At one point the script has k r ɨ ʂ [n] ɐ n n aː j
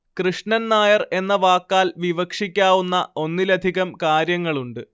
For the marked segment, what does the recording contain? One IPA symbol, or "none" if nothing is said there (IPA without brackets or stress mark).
ɳ